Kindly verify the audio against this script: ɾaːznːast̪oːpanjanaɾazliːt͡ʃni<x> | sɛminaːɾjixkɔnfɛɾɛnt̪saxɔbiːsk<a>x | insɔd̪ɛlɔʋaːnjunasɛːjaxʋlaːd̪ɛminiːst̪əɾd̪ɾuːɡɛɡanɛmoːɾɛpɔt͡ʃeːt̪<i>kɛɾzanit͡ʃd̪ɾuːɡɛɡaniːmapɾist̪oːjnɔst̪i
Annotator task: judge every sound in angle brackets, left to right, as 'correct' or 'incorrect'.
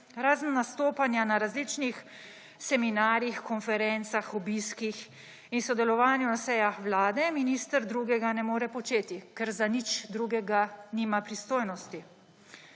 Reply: correct, incorrect, correct

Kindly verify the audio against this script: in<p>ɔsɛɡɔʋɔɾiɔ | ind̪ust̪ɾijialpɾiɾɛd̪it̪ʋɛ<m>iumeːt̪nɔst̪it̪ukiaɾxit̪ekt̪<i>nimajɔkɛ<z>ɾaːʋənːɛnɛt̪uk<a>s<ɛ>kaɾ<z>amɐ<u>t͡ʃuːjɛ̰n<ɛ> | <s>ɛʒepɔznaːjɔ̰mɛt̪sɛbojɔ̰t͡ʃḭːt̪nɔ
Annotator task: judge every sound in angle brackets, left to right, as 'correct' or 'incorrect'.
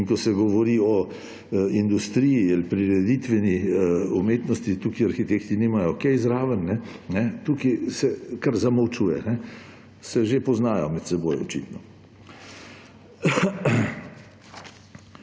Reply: incorrect, incorrect, correct, correct, incorrect, correct, correct, incorrect, correct, correct

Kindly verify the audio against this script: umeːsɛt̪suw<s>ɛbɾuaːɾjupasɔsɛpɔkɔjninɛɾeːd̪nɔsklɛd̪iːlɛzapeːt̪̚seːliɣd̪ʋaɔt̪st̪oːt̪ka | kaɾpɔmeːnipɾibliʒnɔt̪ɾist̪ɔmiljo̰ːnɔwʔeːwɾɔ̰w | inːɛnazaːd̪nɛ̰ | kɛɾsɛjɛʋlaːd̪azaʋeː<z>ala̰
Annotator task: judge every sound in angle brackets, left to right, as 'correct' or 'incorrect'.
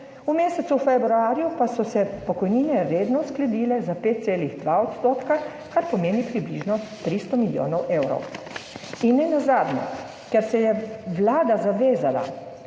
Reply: incorrect, correct

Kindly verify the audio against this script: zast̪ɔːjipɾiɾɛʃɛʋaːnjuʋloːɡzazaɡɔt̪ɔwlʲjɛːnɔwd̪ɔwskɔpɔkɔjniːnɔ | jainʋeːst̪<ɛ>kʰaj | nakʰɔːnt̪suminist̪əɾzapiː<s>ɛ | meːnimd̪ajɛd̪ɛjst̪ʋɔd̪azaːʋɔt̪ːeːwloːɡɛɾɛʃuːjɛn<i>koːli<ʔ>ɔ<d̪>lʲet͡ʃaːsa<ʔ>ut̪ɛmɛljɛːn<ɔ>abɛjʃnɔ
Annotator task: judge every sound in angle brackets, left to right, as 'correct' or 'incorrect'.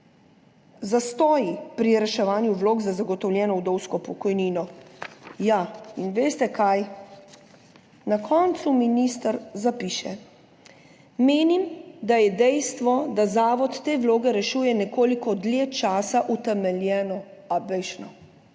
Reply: correct, incorrect, incorrect, incorrect, correct, correct, correct

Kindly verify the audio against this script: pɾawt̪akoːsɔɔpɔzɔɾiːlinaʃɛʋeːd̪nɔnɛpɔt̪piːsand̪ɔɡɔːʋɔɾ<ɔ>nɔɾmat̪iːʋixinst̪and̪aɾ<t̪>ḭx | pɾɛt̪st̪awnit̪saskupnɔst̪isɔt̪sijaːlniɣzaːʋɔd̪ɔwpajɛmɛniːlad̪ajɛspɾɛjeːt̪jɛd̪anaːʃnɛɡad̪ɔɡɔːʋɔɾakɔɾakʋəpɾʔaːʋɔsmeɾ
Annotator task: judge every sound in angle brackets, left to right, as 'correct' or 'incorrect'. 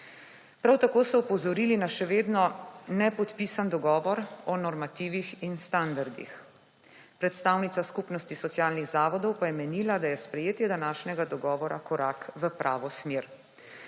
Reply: correct, incorrect

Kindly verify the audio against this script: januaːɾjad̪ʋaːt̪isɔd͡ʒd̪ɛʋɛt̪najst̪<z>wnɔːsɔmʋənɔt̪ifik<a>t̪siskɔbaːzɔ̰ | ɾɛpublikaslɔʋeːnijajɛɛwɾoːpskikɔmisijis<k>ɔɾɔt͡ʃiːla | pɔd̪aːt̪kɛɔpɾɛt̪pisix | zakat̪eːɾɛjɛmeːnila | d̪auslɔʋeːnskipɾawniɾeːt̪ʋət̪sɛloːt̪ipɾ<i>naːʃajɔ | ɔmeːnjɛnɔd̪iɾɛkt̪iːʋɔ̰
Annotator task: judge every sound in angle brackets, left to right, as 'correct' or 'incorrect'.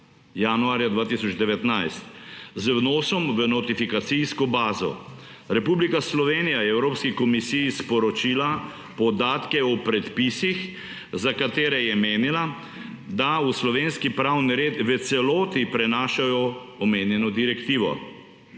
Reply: correct, correct, incorrect, incorrect

